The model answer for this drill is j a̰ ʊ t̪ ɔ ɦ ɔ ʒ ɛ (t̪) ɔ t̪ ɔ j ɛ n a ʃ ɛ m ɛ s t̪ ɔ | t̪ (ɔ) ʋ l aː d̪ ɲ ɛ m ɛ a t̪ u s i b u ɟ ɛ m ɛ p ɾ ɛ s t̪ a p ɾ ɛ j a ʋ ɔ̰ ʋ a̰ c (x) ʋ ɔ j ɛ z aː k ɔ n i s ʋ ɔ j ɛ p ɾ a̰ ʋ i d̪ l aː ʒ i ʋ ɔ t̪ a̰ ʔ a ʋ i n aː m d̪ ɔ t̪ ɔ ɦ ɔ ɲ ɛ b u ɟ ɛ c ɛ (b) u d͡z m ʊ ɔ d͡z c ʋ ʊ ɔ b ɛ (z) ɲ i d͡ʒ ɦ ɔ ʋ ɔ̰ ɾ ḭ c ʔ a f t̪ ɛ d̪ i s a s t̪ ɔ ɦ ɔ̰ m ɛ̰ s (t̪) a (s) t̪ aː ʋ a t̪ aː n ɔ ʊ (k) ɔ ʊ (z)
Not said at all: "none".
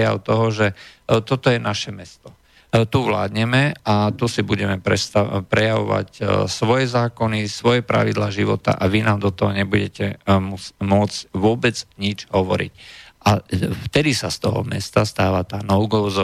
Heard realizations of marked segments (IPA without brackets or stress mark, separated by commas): t̪, u, s, m, d͡z, t̪, s, ɡ, z